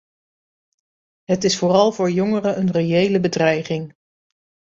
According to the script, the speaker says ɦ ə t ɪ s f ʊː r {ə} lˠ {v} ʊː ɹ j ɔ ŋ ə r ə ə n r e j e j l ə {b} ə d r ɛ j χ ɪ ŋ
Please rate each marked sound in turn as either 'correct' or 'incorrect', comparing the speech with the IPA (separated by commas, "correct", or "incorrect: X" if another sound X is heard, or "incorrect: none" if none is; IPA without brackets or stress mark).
incorrect: ɑ, correct, correct